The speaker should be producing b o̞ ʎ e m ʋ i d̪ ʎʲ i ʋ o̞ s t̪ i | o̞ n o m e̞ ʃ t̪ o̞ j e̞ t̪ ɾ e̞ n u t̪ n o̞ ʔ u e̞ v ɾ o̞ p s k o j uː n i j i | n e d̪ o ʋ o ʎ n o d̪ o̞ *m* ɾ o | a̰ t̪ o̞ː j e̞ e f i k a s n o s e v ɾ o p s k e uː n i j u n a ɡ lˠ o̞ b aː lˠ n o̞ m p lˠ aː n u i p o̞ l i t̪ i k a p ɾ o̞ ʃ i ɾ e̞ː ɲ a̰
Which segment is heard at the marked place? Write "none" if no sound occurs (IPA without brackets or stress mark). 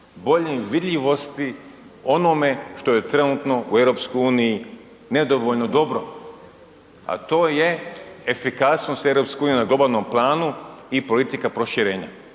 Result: b